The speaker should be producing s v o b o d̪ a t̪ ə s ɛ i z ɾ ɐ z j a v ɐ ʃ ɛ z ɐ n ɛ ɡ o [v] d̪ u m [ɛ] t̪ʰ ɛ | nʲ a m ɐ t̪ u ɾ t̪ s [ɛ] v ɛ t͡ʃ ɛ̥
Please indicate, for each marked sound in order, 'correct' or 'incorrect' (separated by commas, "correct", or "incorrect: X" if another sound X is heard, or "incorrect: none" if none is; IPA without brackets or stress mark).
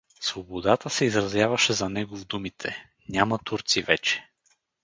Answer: correct, incorrect: i, incorrect: i